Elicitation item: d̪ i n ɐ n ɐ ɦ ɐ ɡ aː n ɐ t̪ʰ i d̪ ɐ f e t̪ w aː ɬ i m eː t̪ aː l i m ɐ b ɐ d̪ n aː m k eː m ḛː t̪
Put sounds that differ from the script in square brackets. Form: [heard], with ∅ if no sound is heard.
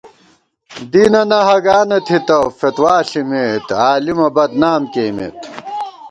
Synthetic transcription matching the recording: d̪ i n ɐ n ɐ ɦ ɐ ɡ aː n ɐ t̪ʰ i [t̪] ɐ f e t̪ w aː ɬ i m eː t̪ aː l i m ɐ b ɐ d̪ n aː m k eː m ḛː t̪